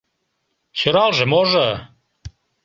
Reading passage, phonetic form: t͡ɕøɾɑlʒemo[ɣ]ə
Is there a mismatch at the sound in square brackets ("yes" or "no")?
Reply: yes